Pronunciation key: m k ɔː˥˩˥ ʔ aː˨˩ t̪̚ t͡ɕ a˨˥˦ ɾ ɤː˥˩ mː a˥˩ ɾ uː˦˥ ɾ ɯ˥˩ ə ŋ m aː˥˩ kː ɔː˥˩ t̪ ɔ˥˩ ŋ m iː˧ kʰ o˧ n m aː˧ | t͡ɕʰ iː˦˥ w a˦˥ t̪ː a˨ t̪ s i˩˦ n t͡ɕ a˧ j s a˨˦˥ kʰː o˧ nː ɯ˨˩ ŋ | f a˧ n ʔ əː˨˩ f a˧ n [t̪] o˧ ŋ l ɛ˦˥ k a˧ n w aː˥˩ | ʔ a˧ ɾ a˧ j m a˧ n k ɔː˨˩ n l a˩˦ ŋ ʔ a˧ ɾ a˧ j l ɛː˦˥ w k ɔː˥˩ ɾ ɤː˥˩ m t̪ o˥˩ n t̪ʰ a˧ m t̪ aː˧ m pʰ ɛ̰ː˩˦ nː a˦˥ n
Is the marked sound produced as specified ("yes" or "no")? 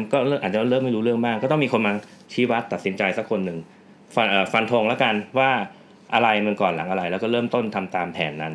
no